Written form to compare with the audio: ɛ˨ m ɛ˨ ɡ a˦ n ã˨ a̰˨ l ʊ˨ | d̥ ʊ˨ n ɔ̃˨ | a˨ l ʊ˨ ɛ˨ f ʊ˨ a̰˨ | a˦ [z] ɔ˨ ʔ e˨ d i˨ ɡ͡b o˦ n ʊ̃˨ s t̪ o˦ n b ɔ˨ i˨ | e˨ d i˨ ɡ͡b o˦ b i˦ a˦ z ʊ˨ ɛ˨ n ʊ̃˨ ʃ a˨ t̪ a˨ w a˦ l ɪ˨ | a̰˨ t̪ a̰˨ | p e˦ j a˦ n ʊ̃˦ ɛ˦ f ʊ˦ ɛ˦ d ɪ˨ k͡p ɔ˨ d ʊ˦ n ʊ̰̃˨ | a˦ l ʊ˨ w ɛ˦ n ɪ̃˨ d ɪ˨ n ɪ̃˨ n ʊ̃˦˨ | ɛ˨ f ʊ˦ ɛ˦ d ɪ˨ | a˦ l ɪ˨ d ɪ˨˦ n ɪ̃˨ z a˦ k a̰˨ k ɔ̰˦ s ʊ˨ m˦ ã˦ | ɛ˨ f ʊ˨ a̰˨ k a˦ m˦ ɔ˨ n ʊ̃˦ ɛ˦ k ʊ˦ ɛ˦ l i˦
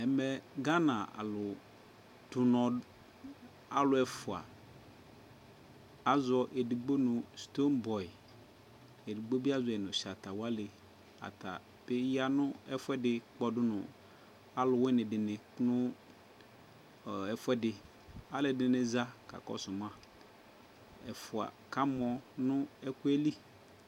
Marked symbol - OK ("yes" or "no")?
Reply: yes